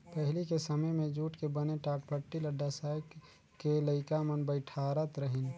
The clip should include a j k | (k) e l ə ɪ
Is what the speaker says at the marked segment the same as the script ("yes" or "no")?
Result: yes